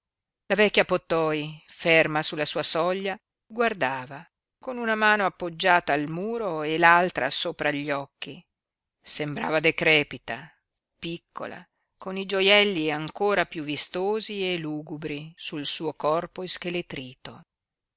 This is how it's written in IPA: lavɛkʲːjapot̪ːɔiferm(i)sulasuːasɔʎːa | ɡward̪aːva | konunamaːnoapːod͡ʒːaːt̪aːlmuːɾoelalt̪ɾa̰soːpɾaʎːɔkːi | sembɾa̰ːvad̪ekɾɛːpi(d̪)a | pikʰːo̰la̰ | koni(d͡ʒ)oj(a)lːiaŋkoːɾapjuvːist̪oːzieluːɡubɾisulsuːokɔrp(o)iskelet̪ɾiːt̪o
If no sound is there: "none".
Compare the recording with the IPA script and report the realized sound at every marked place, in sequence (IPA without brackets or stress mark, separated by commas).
a, t̪, d͡ʒ, ɛ, o